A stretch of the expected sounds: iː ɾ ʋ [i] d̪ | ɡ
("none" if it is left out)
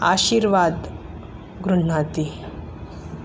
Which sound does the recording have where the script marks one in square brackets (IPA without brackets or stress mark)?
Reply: a